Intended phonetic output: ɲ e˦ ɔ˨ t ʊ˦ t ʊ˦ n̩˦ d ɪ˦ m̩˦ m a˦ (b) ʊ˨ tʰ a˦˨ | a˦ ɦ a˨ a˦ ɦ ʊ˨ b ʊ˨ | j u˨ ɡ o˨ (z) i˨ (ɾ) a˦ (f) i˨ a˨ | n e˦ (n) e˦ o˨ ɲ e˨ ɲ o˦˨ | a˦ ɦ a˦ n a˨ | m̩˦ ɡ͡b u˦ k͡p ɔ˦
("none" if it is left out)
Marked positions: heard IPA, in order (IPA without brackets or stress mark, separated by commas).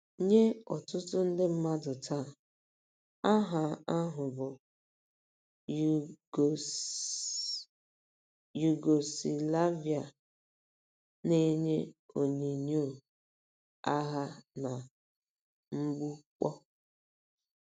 d, s, l, v, ɲ